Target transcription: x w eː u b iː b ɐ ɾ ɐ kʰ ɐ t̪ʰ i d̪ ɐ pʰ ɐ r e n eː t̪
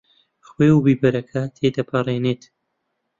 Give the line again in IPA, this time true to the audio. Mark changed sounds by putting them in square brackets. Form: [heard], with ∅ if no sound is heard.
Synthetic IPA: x w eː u b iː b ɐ ɾ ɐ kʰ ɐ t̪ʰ [e] d̪ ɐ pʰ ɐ r e n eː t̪